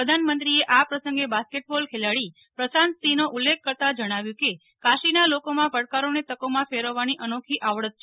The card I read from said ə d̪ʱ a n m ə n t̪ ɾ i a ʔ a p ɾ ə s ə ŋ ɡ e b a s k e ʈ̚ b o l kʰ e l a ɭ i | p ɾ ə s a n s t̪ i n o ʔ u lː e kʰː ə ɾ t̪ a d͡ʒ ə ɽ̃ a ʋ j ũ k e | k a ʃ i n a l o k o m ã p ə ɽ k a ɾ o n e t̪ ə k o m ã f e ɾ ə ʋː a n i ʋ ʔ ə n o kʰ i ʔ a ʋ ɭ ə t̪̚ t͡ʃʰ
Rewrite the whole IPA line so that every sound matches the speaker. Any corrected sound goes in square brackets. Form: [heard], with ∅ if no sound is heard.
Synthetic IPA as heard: ə d̪ʱ a n m ə n t̪ ɾ i [e] ʔ a p ɾ ə s ə ŋ ɡ e b a s k e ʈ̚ b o l kʰ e l a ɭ i | p ɾ ə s a n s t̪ i n o ʔ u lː e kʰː ə ɾ t̪ a d͡ʒ ə ɽ̃ a ʋ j ũ k e | k a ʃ i n a l o k o m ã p ə ɽ k a ɾ o n e t̪ ə k o m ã f e ɾ ə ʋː a n i [∅] ʔ ə n o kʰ i ʔ a ʋ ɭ ə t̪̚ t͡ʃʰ